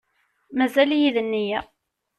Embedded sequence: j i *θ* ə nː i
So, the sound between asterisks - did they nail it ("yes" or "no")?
no